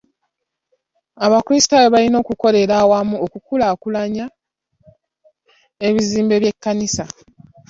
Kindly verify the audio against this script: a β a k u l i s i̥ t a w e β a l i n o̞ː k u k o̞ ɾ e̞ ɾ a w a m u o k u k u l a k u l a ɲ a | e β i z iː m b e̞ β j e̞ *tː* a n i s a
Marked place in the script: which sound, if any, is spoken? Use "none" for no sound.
kː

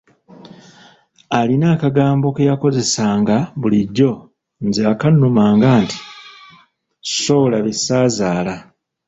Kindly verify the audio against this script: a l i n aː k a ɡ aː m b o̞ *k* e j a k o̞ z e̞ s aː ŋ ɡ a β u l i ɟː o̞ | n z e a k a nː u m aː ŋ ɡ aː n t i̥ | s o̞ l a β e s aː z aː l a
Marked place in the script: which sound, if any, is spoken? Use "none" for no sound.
k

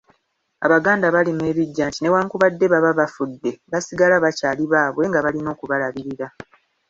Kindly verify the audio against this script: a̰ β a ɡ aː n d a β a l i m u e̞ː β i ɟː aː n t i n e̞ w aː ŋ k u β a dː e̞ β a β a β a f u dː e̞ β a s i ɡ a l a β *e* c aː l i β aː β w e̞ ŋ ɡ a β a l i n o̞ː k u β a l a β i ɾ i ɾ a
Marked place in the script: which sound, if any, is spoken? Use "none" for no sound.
a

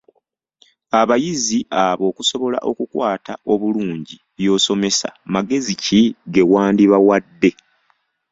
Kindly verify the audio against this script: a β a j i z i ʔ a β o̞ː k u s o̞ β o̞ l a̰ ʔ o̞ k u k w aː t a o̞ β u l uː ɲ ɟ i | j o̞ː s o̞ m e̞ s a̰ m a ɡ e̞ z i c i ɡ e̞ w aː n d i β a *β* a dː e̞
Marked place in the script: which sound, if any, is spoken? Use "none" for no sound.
w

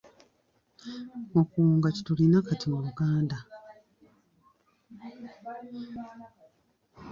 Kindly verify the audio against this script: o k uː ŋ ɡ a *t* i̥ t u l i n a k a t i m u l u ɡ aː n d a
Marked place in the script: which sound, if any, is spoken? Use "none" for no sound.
c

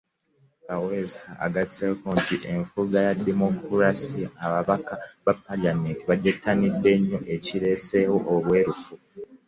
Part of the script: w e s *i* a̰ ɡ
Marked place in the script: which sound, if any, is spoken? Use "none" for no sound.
a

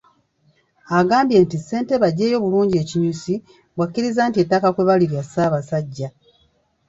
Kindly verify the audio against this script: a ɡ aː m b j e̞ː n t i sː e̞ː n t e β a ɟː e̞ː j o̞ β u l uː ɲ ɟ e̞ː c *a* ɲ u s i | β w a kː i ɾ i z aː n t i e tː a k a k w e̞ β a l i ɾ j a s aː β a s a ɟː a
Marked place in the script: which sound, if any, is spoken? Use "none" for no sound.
i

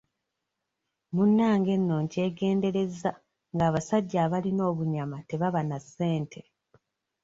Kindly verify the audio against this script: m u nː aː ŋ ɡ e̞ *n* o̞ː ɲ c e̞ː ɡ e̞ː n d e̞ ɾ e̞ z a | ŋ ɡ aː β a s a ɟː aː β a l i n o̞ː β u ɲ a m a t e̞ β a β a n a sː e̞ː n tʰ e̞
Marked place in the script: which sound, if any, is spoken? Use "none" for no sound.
nː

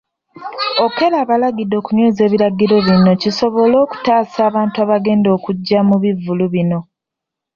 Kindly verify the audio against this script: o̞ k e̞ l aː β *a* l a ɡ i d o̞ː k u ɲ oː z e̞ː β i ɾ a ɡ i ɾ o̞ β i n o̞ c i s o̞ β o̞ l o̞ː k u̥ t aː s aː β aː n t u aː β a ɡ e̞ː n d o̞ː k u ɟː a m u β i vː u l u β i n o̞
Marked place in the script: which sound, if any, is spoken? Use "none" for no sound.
a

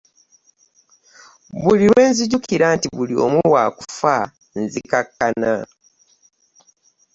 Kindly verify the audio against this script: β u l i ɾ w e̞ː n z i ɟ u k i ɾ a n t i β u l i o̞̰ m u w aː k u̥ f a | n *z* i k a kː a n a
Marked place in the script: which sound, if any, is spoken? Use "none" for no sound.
z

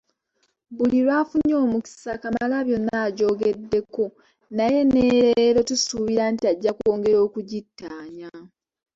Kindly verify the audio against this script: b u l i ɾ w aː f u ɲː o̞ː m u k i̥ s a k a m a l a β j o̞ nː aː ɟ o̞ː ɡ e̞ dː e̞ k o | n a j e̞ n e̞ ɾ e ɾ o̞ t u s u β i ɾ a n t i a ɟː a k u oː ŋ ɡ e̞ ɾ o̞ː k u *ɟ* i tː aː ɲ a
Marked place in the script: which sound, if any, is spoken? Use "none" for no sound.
ɟ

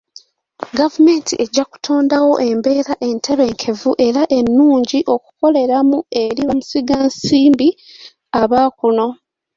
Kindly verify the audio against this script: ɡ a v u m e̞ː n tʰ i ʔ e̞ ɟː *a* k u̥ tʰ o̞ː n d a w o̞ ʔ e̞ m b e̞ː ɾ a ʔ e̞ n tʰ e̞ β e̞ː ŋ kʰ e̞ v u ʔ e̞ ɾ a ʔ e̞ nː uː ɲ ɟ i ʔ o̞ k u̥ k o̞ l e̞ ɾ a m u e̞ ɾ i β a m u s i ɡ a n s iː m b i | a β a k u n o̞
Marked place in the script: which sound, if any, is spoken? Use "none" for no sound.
a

